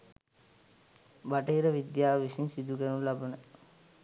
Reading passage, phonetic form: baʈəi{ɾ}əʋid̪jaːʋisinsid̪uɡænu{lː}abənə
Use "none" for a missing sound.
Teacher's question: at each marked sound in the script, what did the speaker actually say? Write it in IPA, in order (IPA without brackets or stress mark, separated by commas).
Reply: ɾ, l